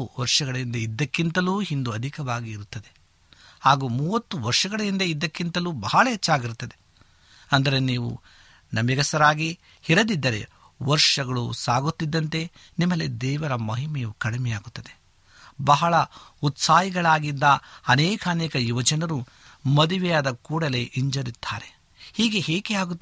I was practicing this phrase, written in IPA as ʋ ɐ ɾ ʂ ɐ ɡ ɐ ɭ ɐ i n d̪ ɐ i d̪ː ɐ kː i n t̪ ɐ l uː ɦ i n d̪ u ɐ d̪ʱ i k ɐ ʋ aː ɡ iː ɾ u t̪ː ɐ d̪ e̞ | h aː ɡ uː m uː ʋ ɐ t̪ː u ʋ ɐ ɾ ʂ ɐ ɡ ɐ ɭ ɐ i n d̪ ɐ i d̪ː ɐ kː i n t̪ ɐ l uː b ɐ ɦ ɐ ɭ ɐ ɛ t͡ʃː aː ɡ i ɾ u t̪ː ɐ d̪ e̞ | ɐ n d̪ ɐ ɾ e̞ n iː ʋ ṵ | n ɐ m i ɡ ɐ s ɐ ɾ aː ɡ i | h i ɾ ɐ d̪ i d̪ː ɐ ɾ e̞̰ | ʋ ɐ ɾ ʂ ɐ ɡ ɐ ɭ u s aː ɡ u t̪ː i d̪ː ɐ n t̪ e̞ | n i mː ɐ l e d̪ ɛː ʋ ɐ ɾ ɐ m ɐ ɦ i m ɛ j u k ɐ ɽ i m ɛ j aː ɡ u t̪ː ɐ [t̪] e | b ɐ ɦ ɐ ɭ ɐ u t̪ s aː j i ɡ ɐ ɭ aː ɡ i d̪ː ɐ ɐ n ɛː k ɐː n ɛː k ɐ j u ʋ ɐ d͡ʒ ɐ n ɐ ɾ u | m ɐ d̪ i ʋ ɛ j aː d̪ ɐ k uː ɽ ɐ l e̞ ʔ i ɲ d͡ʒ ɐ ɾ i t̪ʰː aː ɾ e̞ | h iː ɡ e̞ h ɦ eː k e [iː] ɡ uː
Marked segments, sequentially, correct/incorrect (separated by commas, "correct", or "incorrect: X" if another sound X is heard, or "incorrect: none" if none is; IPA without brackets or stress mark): incorrect: d̪, incorrect: aː